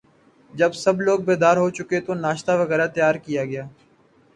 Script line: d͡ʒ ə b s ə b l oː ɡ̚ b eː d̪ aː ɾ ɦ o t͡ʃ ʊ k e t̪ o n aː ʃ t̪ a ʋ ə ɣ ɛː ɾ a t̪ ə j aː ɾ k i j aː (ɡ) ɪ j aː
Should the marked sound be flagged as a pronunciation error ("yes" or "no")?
no